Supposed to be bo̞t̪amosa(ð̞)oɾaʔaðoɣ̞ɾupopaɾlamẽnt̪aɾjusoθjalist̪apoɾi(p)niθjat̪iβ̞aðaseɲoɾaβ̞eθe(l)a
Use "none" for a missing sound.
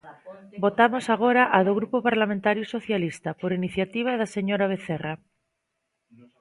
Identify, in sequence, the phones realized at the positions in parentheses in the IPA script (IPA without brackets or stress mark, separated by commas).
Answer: ɣ̞, none, r